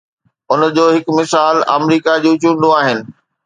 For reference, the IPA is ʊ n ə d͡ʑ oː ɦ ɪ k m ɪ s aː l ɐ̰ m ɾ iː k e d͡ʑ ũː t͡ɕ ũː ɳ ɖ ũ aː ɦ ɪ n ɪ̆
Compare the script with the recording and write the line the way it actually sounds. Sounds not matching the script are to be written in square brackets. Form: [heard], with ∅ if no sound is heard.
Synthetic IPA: ʊ n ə d͡ʑ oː ɦ ɪ k m ɪ s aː l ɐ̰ m ɾ iː k [a] d͡ʑ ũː t͡ɕ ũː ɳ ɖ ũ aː ɦ ɪ n ɪ̆